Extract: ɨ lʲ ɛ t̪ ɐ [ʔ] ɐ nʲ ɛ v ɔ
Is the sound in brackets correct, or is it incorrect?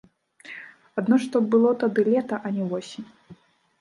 correct